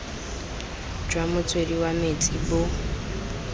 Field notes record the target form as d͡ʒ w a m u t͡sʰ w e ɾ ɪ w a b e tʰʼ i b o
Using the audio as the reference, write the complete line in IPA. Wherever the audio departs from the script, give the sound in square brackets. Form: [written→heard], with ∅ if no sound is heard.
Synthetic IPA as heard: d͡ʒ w a m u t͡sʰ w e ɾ [ɪ→i] w a [b→m] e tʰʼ i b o